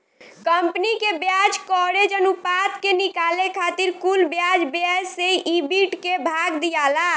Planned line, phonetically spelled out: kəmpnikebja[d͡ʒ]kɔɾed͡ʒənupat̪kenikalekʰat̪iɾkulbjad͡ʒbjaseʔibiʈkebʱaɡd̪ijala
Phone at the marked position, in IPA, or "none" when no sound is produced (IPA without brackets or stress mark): d͡ʒ